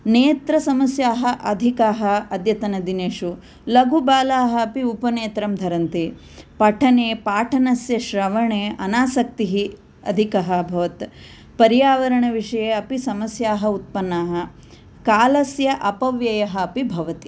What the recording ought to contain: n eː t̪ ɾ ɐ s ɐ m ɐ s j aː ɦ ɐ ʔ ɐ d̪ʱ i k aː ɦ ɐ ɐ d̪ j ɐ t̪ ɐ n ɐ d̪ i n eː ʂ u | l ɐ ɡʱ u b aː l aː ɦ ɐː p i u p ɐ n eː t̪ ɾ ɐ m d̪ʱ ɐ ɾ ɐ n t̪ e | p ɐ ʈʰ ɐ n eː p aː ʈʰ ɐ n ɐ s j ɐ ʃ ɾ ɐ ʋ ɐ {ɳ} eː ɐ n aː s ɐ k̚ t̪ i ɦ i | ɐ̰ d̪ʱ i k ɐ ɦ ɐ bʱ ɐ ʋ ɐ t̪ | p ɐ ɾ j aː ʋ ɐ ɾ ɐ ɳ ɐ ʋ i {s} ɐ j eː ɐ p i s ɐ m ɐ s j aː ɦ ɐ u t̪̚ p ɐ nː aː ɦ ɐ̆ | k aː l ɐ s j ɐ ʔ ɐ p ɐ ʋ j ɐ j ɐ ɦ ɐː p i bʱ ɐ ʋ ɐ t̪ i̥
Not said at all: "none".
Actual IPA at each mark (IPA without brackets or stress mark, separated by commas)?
ɳ, ʂ